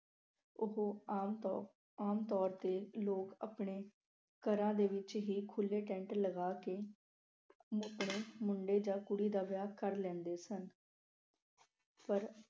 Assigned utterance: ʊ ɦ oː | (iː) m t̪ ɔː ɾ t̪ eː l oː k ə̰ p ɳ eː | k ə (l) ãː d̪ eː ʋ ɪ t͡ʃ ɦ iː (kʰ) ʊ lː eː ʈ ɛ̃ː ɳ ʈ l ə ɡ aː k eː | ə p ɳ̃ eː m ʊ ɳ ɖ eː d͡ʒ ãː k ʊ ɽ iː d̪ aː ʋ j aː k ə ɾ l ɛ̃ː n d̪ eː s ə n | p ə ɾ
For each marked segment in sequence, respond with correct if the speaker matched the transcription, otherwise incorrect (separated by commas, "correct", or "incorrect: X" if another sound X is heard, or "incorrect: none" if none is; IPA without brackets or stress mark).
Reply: incorrect: aː, incorrect: ɾ, correct